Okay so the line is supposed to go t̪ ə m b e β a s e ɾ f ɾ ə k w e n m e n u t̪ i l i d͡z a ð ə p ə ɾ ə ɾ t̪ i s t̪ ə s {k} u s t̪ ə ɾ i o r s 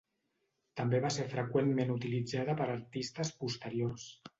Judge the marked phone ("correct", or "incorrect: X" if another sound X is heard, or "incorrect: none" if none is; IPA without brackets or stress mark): incorrect: p